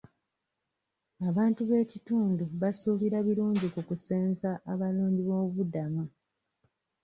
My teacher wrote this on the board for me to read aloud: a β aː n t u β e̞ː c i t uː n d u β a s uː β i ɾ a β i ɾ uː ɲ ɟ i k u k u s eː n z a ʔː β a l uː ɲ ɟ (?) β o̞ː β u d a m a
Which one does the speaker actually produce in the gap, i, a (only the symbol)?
i